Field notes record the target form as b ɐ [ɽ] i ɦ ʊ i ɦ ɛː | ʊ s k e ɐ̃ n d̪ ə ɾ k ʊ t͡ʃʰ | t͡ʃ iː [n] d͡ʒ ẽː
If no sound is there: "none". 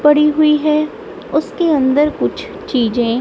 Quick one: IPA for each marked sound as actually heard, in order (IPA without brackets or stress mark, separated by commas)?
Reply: ɽ, none